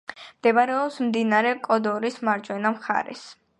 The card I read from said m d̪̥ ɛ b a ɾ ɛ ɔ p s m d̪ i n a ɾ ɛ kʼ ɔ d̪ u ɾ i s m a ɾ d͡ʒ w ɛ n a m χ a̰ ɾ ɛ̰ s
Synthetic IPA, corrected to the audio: m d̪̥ ɛ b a ɾ ɛ ɔ p s m d̪ i n a ɾ ɛ kʼ ɔ d̪ ɔ ɾ i s m a ɾ d͡ʒ w ɛ n a m χ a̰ ɾ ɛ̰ s

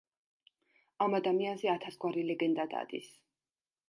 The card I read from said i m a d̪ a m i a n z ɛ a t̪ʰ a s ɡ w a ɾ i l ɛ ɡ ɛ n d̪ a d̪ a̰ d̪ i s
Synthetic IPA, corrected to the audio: a m a d̪ a m i a n z ɛ a t̪ʰ a s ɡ w a ɾ i l ɛ ɡ ɛ n d̪ a d̪ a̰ d̪ i s

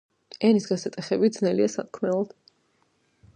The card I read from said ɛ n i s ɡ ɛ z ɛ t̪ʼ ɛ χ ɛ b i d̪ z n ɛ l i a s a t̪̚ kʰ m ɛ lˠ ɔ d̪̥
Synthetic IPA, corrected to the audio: ɛ n i s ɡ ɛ s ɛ t̪ʼ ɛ χ ɛ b i d̪ z n ɛ l i a s a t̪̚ kʰ m ɛ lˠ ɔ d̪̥

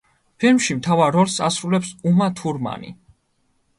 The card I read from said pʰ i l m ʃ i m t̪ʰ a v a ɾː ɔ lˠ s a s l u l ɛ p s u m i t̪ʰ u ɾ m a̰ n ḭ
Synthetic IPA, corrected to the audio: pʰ i l m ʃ i m t̪ʰ a v a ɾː ɔ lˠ s a s ɾ u l ɛ p s u m a t̪ʰ u ɾ m a̰ n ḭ

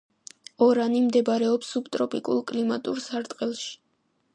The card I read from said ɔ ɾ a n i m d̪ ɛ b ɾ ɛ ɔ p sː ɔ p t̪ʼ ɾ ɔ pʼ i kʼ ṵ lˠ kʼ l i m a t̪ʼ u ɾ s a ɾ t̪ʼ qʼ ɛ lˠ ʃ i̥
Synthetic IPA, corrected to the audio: ɔ ɾ a n i m d̪ ɛ b ɾ ɛ ɔ p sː u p t̪ʼ ɾ ɔ pʼ i kʼ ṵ lˠ kʼ l i m a t̪ʼ u ɾ s a ɾ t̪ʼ qʼ ɛ lˠ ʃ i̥

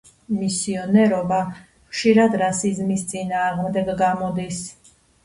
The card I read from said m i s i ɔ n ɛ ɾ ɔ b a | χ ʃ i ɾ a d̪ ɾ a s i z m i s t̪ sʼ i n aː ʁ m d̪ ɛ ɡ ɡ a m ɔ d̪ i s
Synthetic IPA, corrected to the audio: m i s i ɔ n ɛ ɾ ɔ b a | χ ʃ i ɾ a d̪ ɾ a s i z m i s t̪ sʼ i n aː ʁ m d̪ ɛ ɡ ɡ a m ɔ d̪ i s

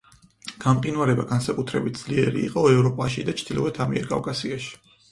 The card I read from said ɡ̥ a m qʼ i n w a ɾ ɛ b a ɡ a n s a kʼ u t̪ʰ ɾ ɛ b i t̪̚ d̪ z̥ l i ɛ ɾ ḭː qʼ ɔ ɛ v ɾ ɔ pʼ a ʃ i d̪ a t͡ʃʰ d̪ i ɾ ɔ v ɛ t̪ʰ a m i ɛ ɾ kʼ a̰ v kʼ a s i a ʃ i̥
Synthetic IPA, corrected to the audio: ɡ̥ a m qʼ i n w a ɾ ɛ b a ɡ a n s a kʼ u t̪ʰ ɾ ɛ b i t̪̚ d̪ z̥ l i ɛ ɾ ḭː qʼ ɔ ɛ v ɾ ɔ pʼ a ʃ i d̪ a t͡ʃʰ d̪ i l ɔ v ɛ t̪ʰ a m i ɛ ɾ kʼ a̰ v kʼ a s i a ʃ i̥

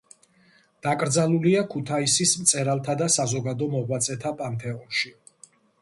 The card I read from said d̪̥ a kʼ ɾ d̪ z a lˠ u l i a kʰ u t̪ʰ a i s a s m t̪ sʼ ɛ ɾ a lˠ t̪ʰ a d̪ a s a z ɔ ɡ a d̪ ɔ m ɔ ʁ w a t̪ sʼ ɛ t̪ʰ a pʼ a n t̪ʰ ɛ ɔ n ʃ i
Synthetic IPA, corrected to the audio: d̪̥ a kʼ ɾ d̪ z a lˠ u l i a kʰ u t̪ʰ a i s i s m t̪ sʼ ɛ ɾ a lˠ t̪ʰ a d̪ a s a z ɔ ɡ a d̪ ɔ m ɔ ʁ w a t̪ sʼ ɛ t̪ʰ a pʼ a n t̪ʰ ɛ ɔ n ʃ i

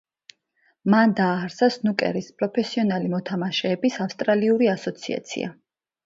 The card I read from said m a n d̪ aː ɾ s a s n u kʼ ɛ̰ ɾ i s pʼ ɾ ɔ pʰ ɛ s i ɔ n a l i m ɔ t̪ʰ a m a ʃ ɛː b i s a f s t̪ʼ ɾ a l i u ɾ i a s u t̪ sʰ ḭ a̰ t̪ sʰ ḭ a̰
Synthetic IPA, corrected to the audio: m a n d̪ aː ɾ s a s n u kʼ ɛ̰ ɾ i s pʼ ɾ ɔ pʰ ɛ s i ɔ n a l i m ɔ t̪ʰ a m a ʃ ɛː b i s a f s t̪ʼ ɾ a l i u ɾ i a s ɔ t̪ sʰ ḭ a̰ t̪ sʰ ḭ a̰

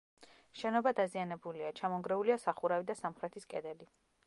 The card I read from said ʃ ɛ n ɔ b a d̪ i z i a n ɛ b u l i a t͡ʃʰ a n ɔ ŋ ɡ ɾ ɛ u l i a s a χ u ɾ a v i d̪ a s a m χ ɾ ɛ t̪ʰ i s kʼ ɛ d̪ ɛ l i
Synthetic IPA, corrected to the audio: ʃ ɛ n ɔ b a d̪ a z i a n ɛ b u l i a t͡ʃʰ a m ɔ ŋ ɡ ɾ ɛ u l i a s a χ u ɾ a v i d̪ a s a m χ ɾ ɛ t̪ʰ i s kʼ ɛ d̪ ɛ l i

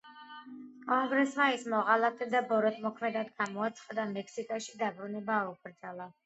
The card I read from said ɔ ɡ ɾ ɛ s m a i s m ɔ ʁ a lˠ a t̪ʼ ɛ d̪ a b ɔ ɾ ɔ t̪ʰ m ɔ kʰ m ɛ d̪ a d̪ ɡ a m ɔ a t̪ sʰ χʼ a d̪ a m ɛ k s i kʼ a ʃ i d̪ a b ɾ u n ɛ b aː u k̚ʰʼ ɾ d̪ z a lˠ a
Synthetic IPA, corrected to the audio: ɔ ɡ ɾ ɛ s m a i s m ɔ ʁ a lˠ a t̪ʼ ɛ d̪ a b ɔ ɾ ɔ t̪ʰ m ɔ kʰ m ɛ d̪ a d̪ ɡ a m ɔ a t̪ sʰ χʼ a d̪ a m ɛ k s i kʼ a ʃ i d̪ a b ɾ u n ɛ b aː u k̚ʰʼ ɾ d̪ z a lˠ a

